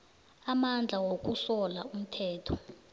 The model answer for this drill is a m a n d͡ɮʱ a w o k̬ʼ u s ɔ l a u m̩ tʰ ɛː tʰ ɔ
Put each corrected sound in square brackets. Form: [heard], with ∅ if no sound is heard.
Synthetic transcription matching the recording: a m a n d͡ɮʱ a w o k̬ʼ u s ɔ l a u m̩ tʰ ɛː tʰ ɔ